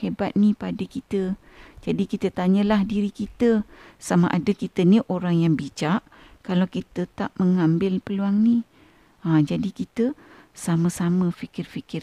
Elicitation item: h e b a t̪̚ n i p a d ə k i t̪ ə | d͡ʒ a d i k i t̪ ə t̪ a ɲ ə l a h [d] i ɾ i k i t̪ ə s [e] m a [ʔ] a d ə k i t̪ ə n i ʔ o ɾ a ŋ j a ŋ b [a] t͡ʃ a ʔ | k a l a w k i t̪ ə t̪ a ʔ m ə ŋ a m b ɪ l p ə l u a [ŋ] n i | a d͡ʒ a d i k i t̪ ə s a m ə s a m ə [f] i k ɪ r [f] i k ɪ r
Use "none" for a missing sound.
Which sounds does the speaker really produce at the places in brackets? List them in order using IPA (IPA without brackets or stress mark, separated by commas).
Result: d, a, ʔ, i, ŋ, f, f